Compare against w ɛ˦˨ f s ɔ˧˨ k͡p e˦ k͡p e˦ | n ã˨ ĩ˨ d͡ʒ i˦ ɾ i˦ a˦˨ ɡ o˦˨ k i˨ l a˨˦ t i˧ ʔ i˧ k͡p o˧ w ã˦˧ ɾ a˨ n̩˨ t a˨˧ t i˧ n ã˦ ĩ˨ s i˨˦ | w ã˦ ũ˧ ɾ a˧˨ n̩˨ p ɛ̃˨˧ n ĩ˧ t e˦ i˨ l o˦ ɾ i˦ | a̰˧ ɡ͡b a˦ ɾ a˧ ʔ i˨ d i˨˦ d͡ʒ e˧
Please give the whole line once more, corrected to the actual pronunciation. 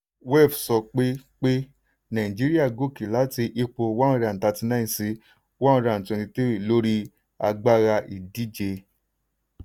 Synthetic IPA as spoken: w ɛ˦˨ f s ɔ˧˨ k͡p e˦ k͡p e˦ | n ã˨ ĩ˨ d͡ʒ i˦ ɾ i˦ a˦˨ ɡ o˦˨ k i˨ l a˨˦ t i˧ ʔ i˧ k͡p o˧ w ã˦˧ ɾ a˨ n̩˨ t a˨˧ t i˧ n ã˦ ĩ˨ s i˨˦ | w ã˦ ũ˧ ɾ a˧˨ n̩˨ t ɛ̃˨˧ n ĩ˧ t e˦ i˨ l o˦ ɾ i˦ | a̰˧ ɡ͡b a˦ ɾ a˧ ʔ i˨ d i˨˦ d͡ʒ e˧

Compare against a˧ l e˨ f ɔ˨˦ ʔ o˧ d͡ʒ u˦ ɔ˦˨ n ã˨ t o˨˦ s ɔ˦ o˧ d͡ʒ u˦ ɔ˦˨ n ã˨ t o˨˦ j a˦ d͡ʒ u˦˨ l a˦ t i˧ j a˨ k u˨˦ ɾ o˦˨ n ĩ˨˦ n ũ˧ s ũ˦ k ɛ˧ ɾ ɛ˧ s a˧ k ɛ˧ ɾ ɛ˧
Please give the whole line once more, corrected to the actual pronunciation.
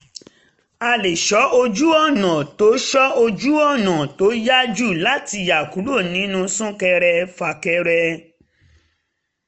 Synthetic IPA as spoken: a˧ l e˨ ʃ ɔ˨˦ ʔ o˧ d͡ʒ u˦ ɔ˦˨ n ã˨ t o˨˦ ʃ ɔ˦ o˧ d͡ʒ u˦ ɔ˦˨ n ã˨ t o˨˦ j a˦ d͡ʒ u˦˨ l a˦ t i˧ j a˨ k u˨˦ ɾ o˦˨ n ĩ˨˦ n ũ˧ s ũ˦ k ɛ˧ ɾ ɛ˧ f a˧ k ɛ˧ ɾ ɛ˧

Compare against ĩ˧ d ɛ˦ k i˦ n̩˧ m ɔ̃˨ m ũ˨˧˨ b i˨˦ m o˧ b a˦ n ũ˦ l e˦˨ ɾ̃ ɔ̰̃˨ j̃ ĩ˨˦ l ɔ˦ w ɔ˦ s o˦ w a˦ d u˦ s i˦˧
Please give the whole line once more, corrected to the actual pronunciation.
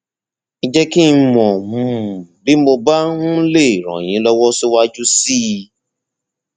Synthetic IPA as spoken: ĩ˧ d͡ʒ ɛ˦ k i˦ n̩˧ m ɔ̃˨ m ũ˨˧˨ b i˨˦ m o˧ b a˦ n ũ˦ l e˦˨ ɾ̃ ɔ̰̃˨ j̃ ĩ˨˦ l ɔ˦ w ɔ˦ s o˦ w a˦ d͡ʒ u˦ s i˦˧

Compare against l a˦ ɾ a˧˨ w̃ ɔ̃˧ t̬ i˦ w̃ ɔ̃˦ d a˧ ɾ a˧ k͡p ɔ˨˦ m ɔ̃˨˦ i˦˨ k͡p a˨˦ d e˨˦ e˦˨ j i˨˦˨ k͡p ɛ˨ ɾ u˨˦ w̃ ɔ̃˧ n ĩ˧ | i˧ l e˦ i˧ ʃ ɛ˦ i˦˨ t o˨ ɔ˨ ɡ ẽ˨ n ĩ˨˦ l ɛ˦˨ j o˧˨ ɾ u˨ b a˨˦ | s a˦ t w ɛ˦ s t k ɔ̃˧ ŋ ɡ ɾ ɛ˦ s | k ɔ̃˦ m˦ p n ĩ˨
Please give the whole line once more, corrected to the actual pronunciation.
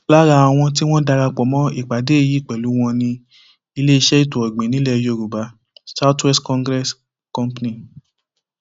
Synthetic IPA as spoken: l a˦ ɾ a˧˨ w̃ ɔ̃˧ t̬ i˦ w̃ ɔ̃˦ d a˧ ɾ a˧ k͡p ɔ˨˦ m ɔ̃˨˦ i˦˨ k͡p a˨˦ d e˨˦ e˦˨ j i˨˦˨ k͡p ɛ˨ l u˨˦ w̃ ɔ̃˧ n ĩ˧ | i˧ l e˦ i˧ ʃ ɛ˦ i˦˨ t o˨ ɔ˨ ɡ͡b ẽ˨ n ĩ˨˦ l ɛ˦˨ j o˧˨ ɾ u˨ b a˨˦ | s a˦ t w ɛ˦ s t k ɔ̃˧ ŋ ɡ ɾ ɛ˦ s | k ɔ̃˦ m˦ p n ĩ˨

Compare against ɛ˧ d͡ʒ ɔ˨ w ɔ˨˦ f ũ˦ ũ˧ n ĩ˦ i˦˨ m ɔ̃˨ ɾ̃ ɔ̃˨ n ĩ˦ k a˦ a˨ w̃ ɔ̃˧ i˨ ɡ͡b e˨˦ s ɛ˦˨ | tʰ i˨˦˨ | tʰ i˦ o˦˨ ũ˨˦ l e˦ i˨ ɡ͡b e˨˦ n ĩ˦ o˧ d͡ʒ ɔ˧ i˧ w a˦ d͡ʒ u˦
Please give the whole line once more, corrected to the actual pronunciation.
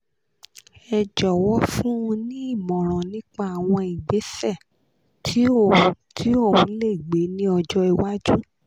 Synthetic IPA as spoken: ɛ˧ d͡ʒ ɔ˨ w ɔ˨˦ f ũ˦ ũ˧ n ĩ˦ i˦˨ m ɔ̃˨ ɾ̃ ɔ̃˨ n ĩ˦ k͡p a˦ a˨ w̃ ɔ̃˧ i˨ ɡ͡b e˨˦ s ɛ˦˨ | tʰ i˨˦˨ | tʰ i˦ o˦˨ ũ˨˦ l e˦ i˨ ɡ͡b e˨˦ n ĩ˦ ɔ˧ d͡ʒ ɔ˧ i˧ w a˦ d͡ʒ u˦

